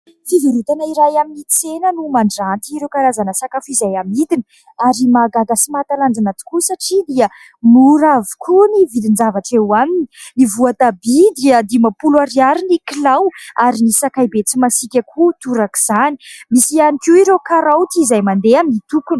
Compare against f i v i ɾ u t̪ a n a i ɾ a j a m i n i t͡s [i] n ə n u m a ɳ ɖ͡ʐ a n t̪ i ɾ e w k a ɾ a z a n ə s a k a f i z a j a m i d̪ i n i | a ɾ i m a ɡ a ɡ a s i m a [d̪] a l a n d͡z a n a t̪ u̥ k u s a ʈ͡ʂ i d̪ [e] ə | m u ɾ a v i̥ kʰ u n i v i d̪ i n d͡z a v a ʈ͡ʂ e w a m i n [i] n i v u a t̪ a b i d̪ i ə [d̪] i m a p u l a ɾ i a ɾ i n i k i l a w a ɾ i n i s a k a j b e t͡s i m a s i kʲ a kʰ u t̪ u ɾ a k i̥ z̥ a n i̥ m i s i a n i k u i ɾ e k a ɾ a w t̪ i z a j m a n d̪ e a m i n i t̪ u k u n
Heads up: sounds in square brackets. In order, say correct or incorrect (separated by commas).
incorrect, incorrect, incorrect, correct, correct